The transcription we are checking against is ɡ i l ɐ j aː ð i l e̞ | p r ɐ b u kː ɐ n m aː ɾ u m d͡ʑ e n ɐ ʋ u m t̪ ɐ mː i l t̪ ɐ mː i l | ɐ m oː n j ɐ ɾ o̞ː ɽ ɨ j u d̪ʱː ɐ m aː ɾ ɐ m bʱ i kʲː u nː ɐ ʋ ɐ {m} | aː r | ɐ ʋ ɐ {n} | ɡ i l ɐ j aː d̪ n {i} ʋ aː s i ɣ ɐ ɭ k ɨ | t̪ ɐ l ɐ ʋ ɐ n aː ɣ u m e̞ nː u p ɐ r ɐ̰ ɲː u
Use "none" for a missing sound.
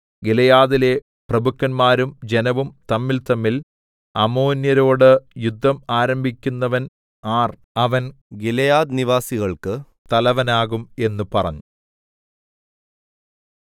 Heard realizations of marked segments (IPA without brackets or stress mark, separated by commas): n, n, i